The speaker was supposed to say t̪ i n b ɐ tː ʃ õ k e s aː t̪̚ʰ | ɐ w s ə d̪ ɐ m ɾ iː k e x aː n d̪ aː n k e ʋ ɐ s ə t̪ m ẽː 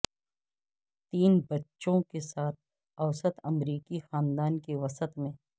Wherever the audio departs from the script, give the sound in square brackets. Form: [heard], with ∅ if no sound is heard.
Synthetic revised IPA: t̪ [iː] n b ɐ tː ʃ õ k e s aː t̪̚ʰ | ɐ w s ə [t̪] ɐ m ɾ iː k [i] x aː n d̪ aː n k e ʋ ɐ s ə t̪ m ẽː